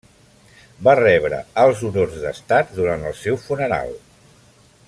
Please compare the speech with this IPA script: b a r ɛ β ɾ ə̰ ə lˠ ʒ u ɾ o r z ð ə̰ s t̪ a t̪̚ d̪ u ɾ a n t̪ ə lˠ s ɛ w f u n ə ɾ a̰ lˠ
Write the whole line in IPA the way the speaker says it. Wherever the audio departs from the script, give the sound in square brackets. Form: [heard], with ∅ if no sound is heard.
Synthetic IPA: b a r ɛ β ɾ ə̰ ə lˠ [z] u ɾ o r z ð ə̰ s t̪ a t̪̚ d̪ u ɾ a n t̪ ə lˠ s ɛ w f u n ə ɾ a̰ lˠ